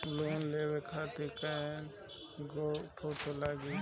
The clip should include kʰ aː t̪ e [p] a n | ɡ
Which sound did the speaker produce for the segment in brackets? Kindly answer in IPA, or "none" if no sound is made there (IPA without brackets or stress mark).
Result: k